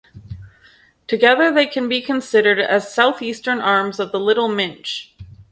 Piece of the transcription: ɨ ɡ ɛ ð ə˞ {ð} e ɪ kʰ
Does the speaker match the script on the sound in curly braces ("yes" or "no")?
yes